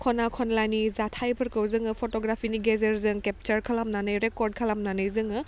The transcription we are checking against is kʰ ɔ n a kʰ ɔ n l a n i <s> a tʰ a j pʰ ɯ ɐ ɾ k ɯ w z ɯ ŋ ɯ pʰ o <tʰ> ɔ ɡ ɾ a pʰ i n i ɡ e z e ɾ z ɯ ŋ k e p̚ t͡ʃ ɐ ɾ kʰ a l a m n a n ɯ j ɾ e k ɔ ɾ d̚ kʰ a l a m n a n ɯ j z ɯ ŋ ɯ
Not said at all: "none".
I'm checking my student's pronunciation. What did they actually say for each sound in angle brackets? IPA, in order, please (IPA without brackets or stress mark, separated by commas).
z, t